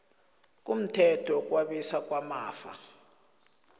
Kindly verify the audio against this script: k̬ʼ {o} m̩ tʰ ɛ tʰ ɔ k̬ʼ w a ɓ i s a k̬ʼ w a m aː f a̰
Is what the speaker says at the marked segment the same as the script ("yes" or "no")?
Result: no